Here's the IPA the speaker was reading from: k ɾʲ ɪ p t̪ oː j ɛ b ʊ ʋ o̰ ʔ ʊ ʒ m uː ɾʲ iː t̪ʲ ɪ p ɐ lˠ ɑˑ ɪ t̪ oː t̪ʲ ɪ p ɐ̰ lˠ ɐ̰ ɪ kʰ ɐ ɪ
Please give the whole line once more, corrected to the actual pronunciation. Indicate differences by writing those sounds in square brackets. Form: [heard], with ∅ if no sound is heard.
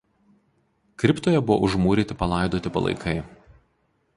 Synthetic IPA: k ɾʲ ɪ p t̪ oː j ɛ b ʊ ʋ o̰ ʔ ʊ ʒ m uː ɾʲ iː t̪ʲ ɪ p ɐ lˠ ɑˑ ɪ [d̪] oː t̪ʲ ɪ p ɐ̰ lˠ ɐ̰ ɪ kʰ ɐ ɪ